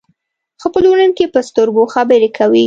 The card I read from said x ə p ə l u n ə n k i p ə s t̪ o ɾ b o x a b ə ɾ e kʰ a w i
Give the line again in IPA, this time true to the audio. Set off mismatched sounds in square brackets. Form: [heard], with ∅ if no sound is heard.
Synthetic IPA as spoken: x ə p ə l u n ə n k [e] p ə s t̪ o ɾ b o x a b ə ɾ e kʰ a w i